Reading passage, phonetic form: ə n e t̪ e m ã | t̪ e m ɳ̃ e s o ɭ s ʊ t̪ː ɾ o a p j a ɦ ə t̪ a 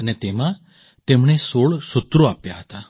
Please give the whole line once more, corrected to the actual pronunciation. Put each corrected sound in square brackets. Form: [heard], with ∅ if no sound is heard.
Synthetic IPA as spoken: ə n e t̪ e m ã | t̪ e m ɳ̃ e s o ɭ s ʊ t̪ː ɾ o a p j a ɦ ə t̪ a